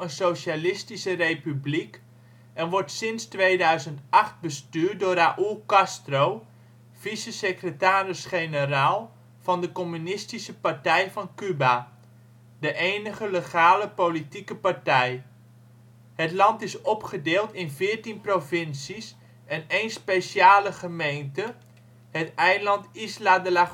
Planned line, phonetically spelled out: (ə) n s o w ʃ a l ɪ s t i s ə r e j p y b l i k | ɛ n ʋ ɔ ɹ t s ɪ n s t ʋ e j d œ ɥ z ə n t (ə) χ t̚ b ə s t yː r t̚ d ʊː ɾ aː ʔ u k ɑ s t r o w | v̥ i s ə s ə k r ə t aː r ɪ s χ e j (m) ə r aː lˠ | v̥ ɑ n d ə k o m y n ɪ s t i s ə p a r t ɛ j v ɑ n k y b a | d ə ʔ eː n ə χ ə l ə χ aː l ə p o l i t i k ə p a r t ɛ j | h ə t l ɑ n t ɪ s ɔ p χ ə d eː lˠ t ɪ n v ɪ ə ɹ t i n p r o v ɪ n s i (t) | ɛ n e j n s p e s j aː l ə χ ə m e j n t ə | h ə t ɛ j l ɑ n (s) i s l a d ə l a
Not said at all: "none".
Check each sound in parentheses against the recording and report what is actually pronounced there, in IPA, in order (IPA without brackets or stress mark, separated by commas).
ə, ɑ, n, s, t